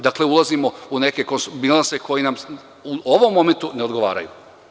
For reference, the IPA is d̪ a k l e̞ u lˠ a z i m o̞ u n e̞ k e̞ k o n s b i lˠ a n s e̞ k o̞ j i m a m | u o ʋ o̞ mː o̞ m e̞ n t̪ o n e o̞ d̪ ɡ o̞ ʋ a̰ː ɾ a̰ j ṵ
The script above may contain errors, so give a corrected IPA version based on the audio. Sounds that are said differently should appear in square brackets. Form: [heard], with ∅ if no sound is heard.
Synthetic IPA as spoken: d̪ a k l e̞ u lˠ a z i m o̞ u n e̞ k e̞ k o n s b i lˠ a n s e̞ k o̞ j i [n] a m | u o ʋ o̞ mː o̞ m e̞ n t̪ [u] n e o̞ d̪ ɡ o̞ ʋ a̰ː ɾ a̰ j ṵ